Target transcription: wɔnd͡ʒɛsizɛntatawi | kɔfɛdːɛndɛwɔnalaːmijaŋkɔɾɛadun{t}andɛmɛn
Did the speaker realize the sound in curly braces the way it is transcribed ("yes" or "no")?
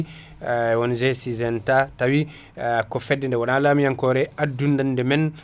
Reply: no